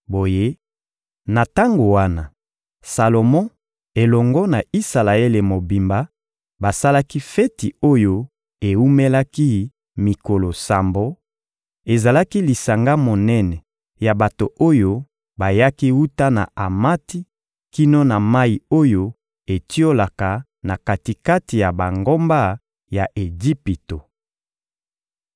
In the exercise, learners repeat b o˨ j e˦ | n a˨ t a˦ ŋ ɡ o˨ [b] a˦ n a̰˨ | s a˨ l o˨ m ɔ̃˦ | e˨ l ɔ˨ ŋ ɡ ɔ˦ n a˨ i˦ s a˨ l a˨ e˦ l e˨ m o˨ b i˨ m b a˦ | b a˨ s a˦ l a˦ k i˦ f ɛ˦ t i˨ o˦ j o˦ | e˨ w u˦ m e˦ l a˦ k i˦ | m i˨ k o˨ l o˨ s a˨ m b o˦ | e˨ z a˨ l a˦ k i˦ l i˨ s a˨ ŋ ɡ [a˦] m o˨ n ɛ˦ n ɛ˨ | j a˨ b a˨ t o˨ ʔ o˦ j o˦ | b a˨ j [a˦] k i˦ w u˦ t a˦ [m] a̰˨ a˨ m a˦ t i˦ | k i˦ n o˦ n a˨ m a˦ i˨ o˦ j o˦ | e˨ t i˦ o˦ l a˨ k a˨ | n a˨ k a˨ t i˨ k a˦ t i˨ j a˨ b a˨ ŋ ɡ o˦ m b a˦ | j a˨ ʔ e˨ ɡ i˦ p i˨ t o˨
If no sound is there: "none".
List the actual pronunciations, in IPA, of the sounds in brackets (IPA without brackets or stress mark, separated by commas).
w, a˦, a˦, n